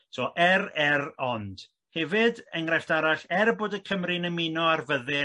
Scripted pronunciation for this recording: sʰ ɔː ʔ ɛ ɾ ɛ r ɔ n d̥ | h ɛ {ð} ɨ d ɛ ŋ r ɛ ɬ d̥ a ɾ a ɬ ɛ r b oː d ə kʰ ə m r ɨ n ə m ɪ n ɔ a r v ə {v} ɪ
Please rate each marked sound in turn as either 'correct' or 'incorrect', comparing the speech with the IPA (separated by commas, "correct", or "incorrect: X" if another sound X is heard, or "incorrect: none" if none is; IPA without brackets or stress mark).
incorrect: v, incorrect: ð